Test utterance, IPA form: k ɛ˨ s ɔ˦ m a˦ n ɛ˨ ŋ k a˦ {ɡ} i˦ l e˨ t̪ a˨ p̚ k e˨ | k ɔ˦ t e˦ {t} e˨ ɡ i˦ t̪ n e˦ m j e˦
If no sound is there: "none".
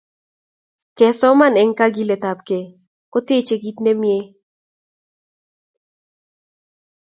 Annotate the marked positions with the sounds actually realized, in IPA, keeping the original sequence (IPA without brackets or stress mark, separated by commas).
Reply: ɡ, t͡ʃ